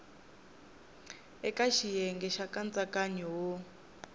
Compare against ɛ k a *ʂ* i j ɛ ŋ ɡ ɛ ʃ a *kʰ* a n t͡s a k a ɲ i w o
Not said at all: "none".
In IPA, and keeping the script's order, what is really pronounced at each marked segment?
ʃ, k

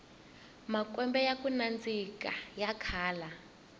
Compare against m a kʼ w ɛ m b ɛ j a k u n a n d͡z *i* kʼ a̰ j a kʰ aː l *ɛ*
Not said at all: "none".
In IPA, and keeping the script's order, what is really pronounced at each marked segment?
i, a

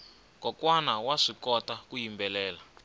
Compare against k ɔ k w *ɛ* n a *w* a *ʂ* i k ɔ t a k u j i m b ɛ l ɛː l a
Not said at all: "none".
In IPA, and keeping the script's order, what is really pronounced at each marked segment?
a, w, ʂ

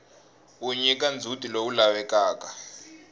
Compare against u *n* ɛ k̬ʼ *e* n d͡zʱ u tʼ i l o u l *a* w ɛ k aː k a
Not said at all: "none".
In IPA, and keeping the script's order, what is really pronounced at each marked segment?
ɲ, a, a

